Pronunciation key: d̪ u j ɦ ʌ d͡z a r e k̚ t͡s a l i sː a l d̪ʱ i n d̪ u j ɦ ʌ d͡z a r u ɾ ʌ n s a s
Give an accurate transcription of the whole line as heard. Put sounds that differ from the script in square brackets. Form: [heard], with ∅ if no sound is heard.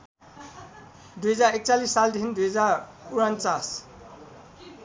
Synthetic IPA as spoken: d̪ u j ɦ ʌ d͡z a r e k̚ t͡s a l i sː a l d̪ʱ i n d̪ u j ɦ ʌ d͡z a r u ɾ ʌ n [t͡s] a s